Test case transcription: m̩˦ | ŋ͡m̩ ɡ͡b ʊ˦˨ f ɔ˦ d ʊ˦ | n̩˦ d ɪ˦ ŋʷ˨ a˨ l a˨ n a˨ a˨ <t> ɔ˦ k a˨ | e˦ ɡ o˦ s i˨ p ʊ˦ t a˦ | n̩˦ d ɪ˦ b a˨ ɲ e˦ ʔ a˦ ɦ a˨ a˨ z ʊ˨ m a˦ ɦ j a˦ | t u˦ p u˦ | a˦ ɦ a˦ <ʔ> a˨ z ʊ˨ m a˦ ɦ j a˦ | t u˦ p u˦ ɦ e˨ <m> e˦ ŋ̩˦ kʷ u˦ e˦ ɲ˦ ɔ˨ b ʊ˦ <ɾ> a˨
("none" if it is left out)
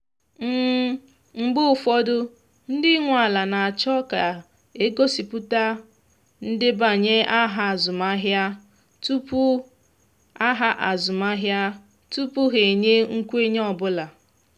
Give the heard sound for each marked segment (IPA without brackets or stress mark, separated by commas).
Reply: t͡ʃ, ʔ, ɲ, l